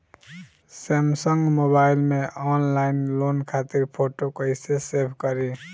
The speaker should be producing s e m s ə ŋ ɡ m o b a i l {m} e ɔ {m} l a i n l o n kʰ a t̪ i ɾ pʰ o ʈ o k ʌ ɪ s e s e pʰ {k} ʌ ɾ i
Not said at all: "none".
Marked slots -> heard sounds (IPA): m, n, k

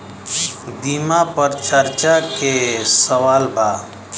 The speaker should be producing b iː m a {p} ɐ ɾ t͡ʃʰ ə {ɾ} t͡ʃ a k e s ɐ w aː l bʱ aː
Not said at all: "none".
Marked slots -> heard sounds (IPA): p, ɾ

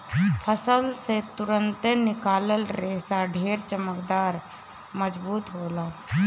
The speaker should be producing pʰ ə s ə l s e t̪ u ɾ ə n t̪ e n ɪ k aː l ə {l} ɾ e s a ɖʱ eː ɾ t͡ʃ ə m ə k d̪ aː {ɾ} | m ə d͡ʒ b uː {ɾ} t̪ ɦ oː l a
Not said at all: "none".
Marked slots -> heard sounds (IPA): l, ɾ, none

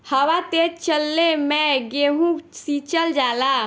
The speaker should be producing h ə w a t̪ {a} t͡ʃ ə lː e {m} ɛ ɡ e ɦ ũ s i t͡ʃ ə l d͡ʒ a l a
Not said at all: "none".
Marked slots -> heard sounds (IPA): e, m

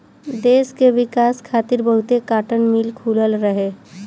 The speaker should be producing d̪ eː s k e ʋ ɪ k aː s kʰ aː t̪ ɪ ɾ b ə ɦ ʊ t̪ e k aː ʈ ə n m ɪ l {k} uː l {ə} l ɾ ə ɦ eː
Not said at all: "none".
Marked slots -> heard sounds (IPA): kʰ, ə

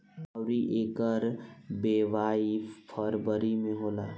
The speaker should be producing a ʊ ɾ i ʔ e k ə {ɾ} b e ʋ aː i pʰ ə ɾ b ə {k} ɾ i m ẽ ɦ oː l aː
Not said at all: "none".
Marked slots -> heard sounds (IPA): ɾ, none

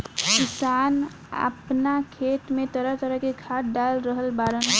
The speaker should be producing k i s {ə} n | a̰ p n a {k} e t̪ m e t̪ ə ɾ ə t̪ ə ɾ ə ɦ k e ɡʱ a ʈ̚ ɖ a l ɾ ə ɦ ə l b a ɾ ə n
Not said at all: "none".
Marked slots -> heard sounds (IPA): a, kʰ

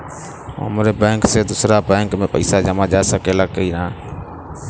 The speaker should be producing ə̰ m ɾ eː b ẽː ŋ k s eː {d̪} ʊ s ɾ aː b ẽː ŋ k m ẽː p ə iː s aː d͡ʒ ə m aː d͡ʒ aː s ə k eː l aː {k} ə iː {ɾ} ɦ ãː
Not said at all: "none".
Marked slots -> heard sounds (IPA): d̪, k, ɾ

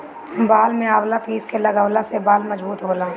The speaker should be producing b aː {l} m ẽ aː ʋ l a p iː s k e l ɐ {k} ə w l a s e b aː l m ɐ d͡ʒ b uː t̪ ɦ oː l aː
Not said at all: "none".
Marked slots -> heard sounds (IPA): l, ɡ

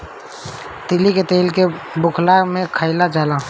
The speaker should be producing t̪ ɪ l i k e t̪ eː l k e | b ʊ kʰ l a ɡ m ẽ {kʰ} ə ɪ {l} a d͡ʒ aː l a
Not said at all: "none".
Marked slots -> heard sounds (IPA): kʰ, l

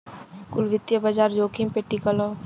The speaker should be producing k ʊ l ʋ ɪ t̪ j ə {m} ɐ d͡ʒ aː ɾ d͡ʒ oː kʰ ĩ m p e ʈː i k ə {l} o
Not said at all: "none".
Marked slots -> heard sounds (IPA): b, l

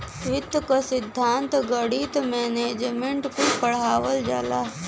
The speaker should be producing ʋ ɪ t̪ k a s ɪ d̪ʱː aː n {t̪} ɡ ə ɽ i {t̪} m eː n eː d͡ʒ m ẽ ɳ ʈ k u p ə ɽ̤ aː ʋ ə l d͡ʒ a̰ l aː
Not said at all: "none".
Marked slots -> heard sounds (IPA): t̪, t̪

